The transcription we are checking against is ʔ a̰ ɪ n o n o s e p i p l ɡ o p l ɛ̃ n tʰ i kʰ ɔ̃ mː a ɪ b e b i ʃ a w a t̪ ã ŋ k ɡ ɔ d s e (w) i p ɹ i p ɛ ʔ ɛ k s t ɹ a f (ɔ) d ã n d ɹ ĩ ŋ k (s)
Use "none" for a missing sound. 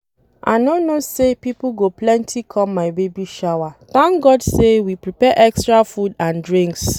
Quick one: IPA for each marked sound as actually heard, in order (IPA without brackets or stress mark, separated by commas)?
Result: w, u, s